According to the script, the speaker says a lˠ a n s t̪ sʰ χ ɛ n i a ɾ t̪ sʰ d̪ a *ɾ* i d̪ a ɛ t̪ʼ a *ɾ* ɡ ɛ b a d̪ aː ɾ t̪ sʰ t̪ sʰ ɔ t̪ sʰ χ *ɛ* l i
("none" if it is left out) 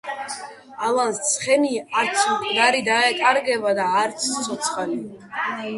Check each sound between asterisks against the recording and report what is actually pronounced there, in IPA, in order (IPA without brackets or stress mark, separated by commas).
ɾ, ɾ, a